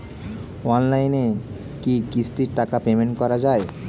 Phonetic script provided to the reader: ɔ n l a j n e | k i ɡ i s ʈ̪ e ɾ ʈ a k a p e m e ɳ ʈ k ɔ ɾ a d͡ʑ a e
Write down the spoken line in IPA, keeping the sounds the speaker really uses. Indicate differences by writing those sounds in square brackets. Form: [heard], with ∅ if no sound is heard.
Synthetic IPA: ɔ n l a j n e | k i [k] i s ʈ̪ [i] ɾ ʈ a k a p e m e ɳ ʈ k ɔ ɾ a d͡ʑ a e

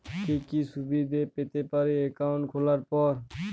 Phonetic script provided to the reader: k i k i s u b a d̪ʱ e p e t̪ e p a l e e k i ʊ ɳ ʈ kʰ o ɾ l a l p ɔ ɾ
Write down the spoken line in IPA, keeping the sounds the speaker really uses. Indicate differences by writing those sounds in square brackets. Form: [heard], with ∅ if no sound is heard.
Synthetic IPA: k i k i s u b [i] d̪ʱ e p e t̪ e p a [ɾ] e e k [a] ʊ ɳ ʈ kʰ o [∅] l a [ɾ] p ɔ ɾ

